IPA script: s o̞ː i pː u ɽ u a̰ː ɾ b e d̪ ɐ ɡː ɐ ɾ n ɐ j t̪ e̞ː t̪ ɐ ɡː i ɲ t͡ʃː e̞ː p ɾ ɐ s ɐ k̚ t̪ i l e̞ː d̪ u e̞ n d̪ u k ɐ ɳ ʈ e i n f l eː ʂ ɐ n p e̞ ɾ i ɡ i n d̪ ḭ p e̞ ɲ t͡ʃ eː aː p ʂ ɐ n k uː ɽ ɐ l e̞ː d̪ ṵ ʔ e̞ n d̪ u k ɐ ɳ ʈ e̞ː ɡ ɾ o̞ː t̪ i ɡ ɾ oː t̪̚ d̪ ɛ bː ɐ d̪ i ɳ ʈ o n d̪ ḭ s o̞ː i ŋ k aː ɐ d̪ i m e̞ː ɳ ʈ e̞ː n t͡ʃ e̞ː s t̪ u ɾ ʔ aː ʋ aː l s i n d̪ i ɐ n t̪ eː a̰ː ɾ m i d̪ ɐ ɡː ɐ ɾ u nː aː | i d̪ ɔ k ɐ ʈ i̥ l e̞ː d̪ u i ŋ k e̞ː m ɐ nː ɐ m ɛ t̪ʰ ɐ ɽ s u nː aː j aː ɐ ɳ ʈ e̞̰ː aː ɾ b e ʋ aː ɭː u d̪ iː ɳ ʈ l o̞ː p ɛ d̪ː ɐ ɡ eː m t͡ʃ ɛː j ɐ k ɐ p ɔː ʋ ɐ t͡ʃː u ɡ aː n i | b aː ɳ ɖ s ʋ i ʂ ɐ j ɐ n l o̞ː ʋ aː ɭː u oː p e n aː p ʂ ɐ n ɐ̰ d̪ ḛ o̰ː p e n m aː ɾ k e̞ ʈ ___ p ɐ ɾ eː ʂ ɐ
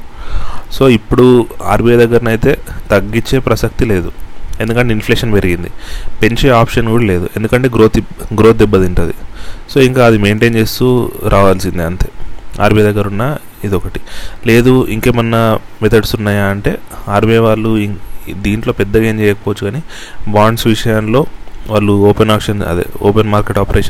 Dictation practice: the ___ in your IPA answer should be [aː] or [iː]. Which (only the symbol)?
aː